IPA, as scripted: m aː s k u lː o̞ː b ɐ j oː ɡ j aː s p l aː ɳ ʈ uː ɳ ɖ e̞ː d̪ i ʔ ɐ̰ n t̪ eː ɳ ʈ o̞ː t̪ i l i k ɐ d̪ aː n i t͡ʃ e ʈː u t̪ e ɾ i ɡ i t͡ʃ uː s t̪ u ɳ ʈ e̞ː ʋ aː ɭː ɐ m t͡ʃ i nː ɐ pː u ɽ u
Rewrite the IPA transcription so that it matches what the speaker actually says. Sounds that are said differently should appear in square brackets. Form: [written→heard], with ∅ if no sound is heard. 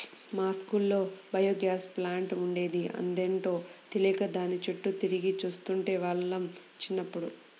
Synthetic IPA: m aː s k u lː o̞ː b ɐ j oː ɡ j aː s p l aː ɳ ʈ [uː→u] ɳ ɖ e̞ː d̪ i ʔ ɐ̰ n [t̪→d̪] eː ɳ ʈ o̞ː t̪ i l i k ɐ d̪ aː n i t͡ʃ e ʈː u t̪ [e→i] ɾ i ɡ i t͡ʃ uː s t̪ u ɳ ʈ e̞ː ʋ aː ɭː ɐ m t͡ʃ i nː ɐ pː u ɽ u